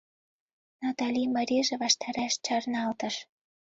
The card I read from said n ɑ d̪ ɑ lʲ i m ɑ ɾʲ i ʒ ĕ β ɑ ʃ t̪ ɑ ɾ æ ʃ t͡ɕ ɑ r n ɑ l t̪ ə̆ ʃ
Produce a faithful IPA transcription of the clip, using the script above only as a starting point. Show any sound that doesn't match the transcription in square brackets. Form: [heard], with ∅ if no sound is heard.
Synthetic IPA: n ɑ [t̪] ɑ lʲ i m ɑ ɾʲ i ʒ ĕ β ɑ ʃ t̪ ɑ ɾ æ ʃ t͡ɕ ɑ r n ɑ l t̪ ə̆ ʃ